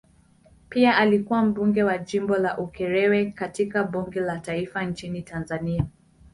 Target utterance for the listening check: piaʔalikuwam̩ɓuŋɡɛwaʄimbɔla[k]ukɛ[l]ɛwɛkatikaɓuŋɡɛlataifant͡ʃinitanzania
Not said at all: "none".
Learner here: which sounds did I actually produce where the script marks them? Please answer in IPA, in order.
ʔ, ɾ

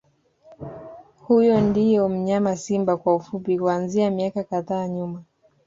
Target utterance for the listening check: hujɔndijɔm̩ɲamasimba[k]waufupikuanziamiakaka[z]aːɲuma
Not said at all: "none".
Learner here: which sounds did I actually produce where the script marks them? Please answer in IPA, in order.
k, ð

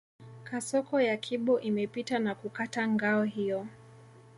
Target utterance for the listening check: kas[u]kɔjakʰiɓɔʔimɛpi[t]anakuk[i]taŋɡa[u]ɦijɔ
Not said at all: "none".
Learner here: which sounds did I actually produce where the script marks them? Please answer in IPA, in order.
ɔ, t, a, ɔ

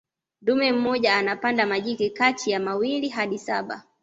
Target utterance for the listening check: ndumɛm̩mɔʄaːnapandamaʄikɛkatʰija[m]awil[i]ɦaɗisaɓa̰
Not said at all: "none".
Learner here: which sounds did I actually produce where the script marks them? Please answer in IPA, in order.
m, i

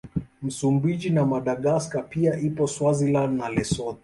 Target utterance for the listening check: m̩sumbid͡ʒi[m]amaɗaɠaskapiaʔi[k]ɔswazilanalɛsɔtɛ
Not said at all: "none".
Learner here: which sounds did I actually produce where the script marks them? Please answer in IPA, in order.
n, p

